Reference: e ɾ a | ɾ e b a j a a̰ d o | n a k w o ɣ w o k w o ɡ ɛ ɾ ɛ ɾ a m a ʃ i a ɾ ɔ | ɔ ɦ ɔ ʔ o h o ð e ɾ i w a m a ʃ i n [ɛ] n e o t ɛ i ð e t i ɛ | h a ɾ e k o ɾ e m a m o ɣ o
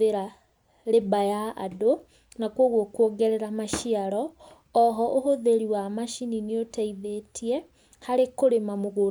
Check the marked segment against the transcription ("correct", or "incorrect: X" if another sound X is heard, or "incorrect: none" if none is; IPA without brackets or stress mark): incorrect: i